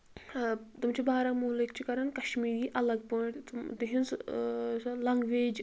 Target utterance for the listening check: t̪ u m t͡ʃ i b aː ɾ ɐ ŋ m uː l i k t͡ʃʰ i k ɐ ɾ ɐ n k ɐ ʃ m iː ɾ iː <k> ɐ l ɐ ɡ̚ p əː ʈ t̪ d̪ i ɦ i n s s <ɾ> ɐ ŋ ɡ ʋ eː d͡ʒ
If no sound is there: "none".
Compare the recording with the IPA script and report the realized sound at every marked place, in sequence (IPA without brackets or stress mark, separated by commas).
ʔ, l